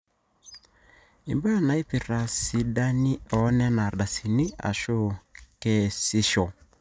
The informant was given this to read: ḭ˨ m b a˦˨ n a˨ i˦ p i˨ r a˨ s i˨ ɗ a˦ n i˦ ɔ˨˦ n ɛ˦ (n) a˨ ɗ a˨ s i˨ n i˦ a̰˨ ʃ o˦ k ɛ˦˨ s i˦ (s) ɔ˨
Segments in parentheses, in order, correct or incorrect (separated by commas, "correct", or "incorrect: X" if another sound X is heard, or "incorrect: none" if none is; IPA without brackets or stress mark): correct, incorrect: ʃ